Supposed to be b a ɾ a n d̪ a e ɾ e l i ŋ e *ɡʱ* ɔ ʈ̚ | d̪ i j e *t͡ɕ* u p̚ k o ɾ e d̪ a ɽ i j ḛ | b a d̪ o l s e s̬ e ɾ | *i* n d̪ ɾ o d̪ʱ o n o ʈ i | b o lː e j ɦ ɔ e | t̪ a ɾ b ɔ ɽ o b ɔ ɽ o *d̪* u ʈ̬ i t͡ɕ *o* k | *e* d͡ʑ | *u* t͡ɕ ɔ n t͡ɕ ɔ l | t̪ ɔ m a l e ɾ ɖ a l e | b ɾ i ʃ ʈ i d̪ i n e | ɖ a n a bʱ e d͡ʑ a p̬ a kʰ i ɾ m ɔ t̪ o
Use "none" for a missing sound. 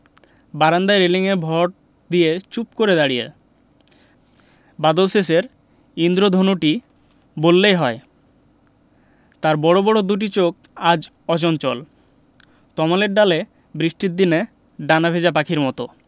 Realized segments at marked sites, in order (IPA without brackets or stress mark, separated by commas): bʱ, t͡ɕ, i, d̪, o, a, ɔ